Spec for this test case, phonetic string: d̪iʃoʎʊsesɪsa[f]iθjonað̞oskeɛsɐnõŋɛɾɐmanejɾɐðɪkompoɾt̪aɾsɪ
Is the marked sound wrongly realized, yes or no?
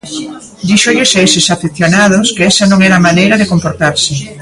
no